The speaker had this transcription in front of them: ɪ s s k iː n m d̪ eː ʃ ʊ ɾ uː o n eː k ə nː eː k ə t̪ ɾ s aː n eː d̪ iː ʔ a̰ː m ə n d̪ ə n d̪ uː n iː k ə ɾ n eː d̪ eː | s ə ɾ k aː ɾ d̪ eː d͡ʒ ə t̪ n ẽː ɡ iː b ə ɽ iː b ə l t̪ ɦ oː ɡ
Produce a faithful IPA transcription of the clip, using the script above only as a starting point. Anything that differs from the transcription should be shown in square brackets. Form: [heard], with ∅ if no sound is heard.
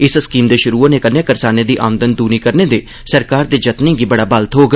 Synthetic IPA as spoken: ɪ s s k iː [∅] m d̪ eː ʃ ʊ ɾ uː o n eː k ə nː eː k ə [∅] ɾ s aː n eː d̪ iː ʔ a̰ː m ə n d̪ ə n d̪ uː n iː k ə ɾ n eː d̪ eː | s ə ɾ k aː ɾ d̪ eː d͡ʒ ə t̪ n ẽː ɡ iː b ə ɽ [aː] b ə l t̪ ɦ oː ɡ